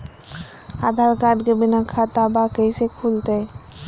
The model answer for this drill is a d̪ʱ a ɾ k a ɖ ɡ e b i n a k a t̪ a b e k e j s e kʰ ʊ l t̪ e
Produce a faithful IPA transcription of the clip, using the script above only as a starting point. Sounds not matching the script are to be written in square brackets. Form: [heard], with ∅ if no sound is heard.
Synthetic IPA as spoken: a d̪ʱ a ɾ k a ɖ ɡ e b i n a [kʰ] a t̪ a b [a] k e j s e kʰ [u] l t̪ e